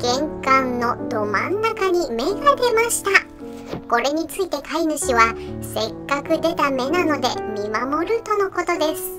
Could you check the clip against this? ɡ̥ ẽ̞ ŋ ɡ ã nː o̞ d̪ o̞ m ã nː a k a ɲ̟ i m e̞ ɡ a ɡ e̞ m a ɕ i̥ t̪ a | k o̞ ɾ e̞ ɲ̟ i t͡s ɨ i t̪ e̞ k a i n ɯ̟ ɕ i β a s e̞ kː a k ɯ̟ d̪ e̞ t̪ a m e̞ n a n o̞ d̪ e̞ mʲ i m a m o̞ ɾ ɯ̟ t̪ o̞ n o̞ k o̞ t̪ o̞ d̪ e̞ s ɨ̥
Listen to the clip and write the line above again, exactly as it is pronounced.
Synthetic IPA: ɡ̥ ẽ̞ ŋ k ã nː o̞ d̪ o̞ m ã nː a k a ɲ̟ i m e̞ ɡ a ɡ e̞ m a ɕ i̥ t̪ a | k o̞ ɾ e̞ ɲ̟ i t͡s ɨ i t̪ e̞ k a i n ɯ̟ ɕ i β a s e̞ kː a k ɯ̟ d̪ e̞ t̪ a m e̞ n a n o̞ d̪ e̞ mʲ i m a m o̞ ɾ ɯ̟ t̪ o̞ n o̞ k o̞ t̪ o̞ d̪ e̞ s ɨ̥